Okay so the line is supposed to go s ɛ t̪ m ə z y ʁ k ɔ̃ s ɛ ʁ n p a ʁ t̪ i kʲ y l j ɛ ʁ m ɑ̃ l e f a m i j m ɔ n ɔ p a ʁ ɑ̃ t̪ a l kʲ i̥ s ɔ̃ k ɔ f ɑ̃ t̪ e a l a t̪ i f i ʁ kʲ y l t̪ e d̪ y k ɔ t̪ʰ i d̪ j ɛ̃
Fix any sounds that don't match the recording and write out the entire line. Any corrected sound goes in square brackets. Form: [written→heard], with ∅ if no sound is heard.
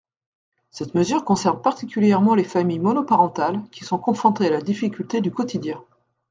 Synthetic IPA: s ɛ t̪ m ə z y ʁ k ɔ̃ s ɛ ʁ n p a ʁ t̪ i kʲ y l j ɛ ʁ m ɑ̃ l e f a m i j m ɔ n ɔ p a ʁ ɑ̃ t̪ a l kʲ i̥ s ɔ̃ k [ɔ→ɔ̃] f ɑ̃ t̪ e a l a [t̪→d̪] i f i [ʁ→∅] kʲ y l t̪ e d̪ y k ɔ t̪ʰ i d̪ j ɛ̃